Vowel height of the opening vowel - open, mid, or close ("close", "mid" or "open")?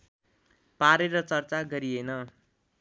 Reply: open